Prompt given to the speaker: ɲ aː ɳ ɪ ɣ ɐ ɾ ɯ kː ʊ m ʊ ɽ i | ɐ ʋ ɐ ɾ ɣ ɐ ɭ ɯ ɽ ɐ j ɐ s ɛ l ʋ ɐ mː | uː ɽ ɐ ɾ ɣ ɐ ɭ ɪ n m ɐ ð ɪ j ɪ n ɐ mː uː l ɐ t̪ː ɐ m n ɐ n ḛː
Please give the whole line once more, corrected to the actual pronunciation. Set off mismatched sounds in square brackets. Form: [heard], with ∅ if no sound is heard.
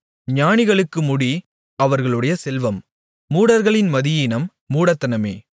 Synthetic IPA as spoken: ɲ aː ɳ ɪ ɣ ɐ [ɭ] ɯ kː [ɯ] m ʊ ɽ i | ɐ ʋ ɐ ɾ ɣ ɐ ɭ ɯ ɽ ɐ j ɐ s ɛ l ʋ ɐ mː | uː ɽ ɐ ɾ ɣ ɐ ɭ ɪ n m ɐ ð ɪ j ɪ n ɐ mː uː [ɽ] ɐ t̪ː ɐ [∅] n ɐ [m] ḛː